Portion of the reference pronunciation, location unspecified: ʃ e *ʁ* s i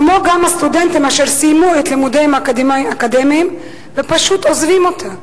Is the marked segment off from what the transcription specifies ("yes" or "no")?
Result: no